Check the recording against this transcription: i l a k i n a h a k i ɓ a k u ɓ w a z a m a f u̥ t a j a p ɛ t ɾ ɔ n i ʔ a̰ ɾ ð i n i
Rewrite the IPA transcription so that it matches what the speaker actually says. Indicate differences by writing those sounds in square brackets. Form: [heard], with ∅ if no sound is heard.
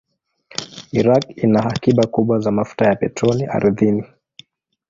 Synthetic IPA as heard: i [ɾ] a k i n a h a k i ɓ a k u ɓ w a z a m a f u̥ t a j a p ɛ t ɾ ɔ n i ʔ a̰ ɾ ð i n i